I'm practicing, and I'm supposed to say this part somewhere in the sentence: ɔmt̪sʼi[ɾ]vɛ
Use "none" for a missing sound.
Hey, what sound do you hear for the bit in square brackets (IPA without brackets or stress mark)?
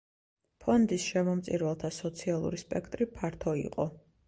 ɾ